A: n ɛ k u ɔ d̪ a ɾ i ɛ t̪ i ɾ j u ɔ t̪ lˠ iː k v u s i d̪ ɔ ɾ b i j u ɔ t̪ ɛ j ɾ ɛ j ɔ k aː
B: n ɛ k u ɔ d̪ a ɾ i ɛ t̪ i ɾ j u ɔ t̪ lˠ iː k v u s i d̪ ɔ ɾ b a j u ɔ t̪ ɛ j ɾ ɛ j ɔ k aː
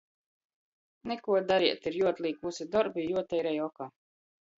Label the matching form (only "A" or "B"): A